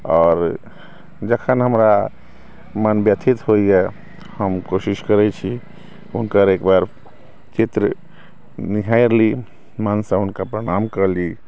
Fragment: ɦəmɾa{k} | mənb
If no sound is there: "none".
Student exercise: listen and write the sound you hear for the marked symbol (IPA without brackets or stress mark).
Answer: none